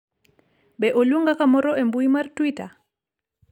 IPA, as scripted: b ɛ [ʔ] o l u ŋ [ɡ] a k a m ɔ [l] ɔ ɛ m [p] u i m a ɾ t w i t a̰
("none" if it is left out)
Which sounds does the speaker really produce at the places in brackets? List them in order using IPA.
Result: ʔ, ɡ, ɾ, b

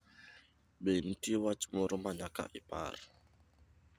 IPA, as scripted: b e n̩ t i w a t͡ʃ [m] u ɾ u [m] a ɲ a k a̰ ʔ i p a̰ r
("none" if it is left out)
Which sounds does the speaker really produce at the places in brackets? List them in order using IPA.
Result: m, m

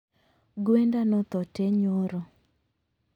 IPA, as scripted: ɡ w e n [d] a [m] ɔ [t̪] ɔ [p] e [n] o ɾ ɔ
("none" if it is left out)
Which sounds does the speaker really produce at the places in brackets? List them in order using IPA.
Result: d, n, t̪, t, ɲ

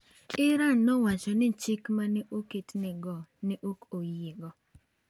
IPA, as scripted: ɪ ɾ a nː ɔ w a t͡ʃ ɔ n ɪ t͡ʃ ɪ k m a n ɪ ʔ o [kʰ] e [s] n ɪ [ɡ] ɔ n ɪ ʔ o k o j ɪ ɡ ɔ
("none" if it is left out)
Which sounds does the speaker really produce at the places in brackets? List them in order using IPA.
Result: k, t, ɡ

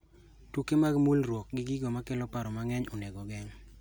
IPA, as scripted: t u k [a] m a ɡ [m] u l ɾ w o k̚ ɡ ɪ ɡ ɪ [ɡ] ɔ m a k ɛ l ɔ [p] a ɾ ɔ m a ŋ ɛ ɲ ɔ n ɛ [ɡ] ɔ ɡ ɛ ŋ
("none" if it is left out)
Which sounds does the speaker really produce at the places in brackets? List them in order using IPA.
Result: e, m, ɡ, p, ɡ

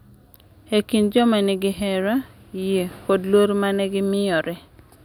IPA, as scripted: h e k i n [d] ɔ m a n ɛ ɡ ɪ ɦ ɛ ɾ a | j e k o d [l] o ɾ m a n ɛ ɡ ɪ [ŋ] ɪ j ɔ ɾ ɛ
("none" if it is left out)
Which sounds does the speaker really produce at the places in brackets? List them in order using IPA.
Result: d͡ʒ, l, m

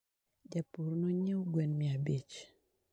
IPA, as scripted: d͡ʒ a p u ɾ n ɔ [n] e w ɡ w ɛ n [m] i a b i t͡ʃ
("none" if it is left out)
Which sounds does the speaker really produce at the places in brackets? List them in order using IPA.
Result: ɲ, m

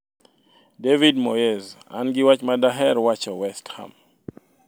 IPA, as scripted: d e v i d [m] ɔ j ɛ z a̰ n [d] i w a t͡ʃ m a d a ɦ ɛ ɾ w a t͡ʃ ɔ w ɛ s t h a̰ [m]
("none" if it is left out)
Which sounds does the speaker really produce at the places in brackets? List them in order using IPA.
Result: m, ɡ, m

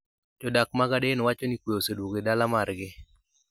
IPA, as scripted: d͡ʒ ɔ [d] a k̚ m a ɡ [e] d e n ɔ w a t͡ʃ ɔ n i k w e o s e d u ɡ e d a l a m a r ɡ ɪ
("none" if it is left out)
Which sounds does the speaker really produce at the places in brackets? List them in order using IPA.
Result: d, a

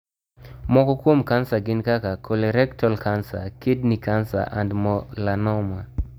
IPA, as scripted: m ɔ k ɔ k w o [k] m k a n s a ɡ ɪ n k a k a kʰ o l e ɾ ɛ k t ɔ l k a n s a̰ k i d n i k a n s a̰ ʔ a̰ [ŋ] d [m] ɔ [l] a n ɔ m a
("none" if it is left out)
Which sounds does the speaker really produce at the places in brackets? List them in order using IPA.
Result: none, n, m, l

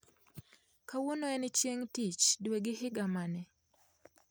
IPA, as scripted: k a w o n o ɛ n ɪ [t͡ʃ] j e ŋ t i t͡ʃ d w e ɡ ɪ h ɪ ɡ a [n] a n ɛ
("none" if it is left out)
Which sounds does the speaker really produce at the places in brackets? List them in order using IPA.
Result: t͡ʃ, m

